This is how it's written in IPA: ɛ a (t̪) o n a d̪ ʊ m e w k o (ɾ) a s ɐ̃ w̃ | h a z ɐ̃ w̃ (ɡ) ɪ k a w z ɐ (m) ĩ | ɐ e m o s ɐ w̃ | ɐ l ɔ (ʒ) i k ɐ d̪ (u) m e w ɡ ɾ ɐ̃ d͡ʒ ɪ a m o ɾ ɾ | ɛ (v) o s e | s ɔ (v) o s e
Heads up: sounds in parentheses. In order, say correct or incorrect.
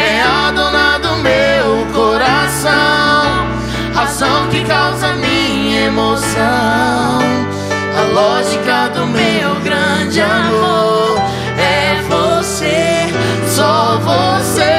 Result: incorrect: d̪, correct, incorrect: k, correct, correct, incorrect: ʊ, correct, correct

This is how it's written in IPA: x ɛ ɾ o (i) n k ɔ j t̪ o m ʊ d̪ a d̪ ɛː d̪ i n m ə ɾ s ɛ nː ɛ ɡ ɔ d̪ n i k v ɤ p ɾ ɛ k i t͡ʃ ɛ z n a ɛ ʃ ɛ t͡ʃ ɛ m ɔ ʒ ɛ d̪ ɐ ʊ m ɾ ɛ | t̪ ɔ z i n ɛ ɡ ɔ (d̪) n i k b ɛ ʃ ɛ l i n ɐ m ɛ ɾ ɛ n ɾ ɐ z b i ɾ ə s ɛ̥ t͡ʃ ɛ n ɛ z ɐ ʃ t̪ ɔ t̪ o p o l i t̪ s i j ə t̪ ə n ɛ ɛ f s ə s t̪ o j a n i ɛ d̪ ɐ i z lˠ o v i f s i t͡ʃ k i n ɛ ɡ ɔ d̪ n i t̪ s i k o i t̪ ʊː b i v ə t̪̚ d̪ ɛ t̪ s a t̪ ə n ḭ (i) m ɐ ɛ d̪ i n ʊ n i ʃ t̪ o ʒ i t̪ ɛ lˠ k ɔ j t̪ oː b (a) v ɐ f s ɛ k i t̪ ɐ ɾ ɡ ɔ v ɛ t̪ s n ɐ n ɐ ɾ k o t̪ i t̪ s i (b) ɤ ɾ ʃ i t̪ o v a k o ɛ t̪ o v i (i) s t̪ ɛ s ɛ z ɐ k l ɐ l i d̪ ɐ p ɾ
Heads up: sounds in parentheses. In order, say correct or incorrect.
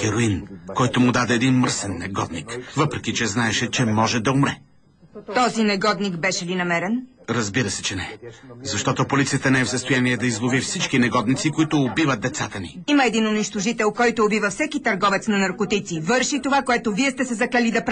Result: correct, correct, correct, incorrect: i, incorrect: v, incorrect: ɛ

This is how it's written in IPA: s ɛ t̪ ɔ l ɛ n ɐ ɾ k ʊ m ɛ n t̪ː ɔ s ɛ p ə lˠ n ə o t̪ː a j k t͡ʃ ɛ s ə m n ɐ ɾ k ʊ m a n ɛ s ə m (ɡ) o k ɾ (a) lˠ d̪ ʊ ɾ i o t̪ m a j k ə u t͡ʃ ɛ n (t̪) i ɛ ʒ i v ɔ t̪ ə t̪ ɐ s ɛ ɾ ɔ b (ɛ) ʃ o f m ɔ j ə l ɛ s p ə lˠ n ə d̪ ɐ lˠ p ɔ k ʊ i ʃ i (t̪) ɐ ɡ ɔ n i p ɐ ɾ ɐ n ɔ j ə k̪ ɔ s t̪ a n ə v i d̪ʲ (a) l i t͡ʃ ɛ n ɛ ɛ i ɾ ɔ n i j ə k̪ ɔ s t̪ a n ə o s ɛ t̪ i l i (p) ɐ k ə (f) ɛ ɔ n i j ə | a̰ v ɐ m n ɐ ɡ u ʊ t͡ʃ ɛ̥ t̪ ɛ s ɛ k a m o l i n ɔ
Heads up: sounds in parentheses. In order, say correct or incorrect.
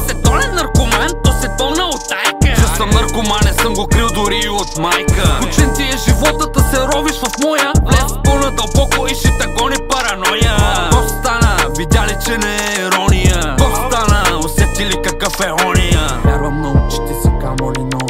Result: correct, incorrect: i, correct, incorrect: i, correct, correct, incorrect: k, correct

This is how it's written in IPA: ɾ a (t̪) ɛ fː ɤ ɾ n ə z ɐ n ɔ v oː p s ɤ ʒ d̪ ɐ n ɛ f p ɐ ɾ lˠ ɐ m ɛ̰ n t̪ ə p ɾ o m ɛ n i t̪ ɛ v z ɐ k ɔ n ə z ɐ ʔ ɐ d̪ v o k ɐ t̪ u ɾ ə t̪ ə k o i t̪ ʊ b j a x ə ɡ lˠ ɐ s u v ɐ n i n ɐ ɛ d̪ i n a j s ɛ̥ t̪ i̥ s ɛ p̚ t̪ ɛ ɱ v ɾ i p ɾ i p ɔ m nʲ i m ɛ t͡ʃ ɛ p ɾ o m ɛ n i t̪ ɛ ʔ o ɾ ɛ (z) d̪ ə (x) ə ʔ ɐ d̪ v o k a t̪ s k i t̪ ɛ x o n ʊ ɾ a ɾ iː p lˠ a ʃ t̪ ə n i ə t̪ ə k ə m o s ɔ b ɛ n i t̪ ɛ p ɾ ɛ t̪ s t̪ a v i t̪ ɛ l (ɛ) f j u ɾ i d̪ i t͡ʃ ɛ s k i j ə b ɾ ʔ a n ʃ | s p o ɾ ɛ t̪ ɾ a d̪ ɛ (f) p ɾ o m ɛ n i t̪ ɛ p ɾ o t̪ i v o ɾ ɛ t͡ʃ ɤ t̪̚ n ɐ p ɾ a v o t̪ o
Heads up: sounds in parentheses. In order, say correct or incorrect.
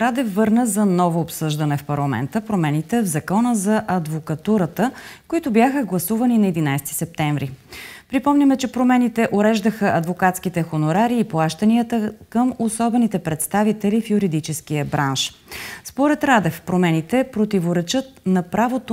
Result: incorrect: d̪, incorrect: ʒ, correct, incorrect: i, correct

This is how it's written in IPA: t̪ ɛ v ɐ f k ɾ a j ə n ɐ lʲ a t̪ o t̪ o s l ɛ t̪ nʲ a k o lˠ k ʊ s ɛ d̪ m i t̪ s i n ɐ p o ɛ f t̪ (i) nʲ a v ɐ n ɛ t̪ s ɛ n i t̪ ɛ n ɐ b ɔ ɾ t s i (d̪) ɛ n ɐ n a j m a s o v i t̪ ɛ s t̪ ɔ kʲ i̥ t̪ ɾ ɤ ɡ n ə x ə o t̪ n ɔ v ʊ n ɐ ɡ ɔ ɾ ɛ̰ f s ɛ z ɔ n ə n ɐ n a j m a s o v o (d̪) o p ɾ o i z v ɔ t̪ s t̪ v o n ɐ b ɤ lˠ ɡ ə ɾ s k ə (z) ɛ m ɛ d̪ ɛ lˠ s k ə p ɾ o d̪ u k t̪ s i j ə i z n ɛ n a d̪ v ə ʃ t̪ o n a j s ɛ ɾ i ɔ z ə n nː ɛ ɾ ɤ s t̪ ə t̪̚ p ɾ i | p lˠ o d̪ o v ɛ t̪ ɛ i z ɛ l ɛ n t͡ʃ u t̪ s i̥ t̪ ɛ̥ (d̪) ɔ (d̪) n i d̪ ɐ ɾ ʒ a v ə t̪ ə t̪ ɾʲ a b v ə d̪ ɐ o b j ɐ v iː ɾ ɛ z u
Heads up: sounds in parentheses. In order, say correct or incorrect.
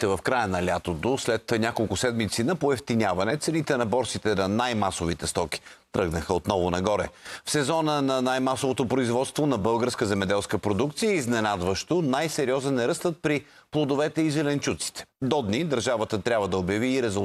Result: correct, incorrect: t̪, incorrect: t̪, correct, correct, correct

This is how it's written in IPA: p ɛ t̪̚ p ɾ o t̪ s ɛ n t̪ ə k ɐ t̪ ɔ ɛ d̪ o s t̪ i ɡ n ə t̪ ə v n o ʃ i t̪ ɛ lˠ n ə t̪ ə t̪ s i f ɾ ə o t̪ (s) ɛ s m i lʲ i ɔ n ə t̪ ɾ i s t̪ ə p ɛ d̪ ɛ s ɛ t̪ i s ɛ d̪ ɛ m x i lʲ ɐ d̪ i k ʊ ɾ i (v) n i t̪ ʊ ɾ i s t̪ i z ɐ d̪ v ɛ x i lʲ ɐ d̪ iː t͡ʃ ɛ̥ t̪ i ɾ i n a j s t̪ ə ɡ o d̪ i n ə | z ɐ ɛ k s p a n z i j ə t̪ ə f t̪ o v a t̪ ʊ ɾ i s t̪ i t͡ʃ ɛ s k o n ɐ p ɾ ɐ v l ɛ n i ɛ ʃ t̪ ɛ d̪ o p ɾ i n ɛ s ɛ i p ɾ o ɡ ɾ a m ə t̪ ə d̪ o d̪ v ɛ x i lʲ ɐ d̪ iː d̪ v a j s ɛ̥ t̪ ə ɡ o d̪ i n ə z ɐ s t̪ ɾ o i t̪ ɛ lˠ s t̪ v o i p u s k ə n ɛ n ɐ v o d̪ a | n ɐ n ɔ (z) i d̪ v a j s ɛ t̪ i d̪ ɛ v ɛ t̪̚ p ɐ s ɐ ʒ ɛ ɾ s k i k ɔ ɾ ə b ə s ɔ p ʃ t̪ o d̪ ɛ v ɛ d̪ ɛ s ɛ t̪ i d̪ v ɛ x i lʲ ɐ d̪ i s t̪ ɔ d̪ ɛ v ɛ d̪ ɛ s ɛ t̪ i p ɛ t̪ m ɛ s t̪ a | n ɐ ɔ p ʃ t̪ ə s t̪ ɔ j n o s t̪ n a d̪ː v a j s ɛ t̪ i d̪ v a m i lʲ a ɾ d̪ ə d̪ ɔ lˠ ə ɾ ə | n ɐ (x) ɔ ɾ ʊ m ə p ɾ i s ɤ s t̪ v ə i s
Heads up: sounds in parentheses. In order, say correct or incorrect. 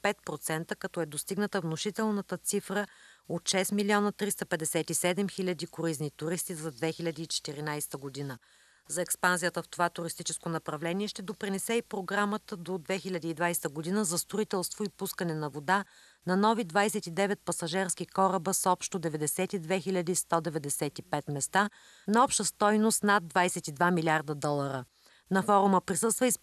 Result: incorrect: ʃ, incorrect: z, incorrect: v, incorrect: f

